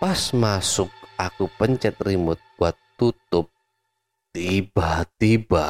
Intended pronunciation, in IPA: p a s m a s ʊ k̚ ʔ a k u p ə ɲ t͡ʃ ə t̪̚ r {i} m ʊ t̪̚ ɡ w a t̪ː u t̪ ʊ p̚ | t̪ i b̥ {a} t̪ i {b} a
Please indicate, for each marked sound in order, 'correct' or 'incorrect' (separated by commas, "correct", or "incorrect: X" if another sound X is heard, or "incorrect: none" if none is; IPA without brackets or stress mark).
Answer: correct, correct, correct